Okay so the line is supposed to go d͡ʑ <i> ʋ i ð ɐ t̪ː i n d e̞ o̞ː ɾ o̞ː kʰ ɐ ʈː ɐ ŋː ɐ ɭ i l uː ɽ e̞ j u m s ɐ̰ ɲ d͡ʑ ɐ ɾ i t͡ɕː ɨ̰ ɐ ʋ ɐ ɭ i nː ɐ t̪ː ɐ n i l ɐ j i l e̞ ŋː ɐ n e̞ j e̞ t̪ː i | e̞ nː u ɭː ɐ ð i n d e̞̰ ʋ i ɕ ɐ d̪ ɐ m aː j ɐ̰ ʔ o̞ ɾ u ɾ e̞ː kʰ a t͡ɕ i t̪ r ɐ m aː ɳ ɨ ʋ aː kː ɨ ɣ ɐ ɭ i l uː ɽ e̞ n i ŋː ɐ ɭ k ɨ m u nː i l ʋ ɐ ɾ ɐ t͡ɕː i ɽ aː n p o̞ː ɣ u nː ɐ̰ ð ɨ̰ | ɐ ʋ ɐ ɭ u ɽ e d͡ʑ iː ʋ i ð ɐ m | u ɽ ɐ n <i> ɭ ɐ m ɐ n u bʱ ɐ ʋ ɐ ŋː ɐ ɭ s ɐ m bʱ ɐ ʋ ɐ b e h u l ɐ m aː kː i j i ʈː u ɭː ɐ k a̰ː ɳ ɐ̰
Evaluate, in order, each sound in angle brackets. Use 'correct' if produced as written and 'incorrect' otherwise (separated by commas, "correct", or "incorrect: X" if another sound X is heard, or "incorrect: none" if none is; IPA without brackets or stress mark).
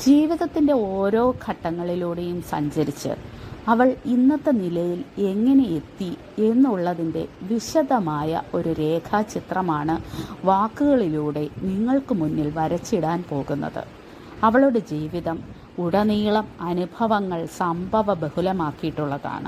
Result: incorrect: iː, incorrect: iː